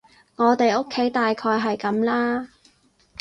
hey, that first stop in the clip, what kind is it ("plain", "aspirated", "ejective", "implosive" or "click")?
plain